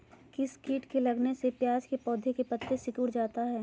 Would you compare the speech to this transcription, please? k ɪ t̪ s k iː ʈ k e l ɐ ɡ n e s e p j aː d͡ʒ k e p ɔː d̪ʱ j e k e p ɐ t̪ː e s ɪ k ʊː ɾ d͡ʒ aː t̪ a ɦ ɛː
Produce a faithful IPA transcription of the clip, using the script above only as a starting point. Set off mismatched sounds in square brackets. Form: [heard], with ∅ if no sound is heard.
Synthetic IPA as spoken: k ɪ [∅] s k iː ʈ k e l ɐ ɡ n e s e p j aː d͡ʒ k e p ɔː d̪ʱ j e k e p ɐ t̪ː e s ɪ k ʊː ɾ d͡ʒ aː t̪ a ɦ ɛː